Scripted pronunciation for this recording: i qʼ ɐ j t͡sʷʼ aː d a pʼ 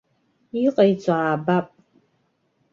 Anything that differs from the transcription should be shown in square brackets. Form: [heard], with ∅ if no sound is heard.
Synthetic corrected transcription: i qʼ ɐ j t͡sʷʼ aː [b] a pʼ